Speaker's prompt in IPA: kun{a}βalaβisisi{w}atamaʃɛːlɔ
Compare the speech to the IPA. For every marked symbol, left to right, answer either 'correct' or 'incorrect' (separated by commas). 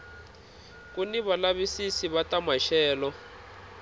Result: incorrect, incorrect